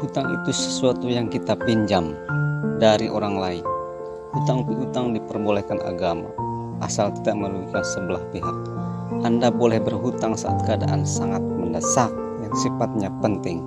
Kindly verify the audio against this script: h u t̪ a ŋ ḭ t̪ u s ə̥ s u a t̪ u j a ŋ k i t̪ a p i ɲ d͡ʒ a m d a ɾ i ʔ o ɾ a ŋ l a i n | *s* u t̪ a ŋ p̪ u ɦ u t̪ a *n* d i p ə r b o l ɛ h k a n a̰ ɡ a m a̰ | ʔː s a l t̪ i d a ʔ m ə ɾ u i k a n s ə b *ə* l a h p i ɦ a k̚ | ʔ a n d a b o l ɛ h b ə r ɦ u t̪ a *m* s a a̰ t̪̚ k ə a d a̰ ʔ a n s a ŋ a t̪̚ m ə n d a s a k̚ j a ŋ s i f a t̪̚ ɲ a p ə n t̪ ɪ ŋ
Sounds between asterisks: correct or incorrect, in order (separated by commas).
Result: incorrect, incorrect, correct, incorrect